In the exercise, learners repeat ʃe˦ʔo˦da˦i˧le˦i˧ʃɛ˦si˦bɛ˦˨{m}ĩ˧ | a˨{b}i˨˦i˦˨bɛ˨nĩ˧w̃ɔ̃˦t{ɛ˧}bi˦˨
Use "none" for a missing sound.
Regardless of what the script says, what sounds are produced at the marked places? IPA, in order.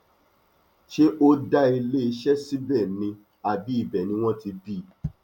n, b, i˧

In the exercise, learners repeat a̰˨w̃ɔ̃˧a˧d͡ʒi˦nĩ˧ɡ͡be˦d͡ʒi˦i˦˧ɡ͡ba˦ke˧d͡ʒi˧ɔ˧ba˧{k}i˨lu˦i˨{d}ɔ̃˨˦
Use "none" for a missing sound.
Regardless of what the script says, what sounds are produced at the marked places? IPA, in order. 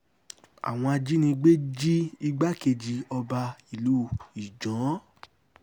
none, d͡ʒ

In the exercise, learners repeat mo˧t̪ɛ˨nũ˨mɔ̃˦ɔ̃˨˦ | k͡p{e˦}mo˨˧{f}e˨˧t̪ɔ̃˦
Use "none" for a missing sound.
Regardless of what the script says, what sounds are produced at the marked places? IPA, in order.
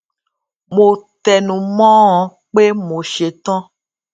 e˦, ʃ

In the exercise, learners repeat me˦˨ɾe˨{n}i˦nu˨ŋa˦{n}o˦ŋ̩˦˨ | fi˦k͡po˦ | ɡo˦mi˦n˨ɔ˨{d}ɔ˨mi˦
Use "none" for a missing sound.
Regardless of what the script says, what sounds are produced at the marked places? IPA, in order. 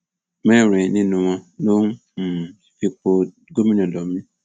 n, n, d

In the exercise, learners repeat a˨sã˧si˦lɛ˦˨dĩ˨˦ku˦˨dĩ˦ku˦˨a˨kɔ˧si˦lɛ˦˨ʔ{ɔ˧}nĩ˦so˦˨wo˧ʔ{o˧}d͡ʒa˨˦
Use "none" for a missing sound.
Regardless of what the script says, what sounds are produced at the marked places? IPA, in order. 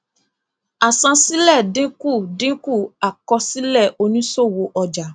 o˧, ɔ˧

